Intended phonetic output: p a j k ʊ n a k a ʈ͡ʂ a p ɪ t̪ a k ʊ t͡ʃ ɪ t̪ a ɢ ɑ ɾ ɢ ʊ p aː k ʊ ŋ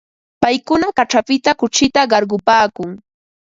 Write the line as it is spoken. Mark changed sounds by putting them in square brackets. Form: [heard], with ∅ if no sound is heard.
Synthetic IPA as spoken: p a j k ʊ n a k a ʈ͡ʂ a p ɪ t̪ a k ʊ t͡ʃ ɪ t̪ a ɢ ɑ ɾ ɢ ʊ p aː k ʊ ŋ